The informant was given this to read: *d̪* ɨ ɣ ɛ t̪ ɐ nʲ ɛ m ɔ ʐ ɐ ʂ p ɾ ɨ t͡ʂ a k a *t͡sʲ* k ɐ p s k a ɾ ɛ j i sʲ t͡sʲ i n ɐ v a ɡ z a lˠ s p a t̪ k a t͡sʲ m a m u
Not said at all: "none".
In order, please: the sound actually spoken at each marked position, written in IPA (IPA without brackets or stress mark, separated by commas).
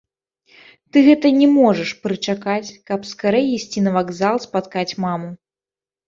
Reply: t̪, t͡sʲ